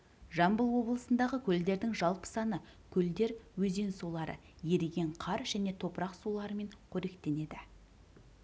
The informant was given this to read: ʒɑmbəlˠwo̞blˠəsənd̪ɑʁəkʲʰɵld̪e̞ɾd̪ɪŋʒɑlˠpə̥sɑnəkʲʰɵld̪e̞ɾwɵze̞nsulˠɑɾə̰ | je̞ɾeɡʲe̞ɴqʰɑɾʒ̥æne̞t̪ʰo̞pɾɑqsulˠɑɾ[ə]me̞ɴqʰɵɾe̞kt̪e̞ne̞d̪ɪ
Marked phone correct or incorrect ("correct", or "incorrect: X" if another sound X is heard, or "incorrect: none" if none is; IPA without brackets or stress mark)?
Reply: correct